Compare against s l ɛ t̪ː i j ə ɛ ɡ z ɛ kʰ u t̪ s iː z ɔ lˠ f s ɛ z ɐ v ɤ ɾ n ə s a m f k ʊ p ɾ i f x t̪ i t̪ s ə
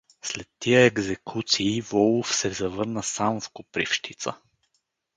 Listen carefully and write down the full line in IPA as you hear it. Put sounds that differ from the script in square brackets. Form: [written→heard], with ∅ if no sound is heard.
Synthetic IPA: s l ɛ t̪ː i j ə ɛ ɡ z ɛ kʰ u t̪ s iː [z→v] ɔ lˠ f s ɛ z ɐ v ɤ ɾ n ə s a m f k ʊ p ɾ i f [x→ʃ] t̪ i t̪ s ə